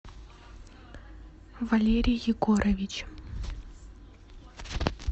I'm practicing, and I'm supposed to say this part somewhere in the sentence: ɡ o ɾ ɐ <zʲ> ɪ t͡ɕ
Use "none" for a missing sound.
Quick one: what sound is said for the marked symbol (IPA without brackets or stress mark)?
vʲ